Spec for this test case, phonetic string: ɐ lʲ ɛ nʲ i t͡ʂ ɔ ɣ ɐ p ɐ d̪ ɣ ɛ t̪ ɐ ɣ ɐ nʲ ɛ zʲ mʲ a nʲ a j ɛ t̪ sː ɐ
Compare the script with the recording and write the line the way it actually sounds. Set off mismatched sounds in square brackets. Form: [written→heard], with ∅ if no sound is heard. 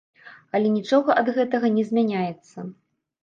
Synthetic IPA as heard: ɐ lʲ ɛ nʲ i t͡ʂ ɔ ɣ ɐ [p→ʔ] ɐ d̪ ɣ ɛ t̪ ɐ ɣ ɐ nʲ ɛ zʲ mʲ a nʲ a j ɛ t̪ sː ɐ